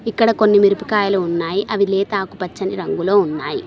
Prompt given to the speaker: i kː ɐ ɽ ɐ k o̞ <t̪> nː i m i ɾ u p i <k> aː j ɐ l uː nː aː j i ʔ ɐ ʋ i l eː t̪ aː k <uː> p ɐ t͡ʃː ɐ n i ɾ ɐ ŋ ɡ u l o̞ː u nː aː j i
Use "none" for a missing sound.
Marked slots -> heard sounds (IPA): none, k, u

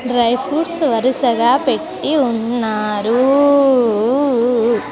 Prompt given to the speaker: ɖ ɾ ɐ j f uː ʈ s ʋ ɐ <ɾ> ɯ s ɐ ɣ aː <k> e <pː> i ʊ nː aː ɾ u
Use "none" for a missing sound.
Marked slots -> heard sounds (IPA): ɾ, p, ʈː

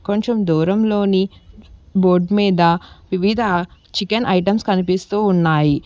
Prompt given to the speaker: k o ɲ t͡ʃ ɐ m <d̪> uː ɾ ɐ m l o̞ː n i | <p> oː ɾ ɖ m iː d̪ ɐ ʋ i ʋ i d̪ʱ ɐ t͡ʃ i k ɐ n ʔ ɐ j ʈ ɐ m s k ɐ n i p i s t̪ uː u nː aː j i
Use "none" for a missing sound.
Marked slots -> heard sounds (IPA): d̪, b

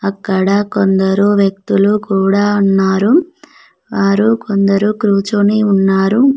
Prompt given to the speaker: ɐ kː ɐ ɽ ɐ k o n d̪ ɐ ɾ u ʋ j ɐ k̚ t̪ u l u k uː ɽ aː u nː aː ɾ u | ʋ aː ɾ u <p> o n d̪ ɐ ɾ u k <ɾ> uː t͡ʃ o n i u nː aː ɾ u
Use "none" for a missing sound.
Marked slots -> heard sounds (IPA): k, ɾ

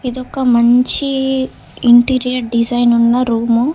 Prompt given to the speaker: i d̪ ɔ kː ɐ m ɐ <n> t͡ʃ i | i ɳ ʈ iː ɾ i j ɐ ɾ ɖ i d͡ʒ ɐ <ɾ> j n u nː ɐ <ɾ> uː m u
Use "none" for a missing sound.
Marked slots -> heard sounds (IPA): ɲ, none, ɾ

